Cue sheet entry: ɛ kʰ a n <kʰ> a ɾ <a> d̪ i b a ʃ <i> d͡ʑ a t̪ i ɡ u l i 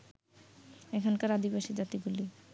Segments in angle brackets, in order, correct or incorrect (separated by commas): incorrect, correct, correct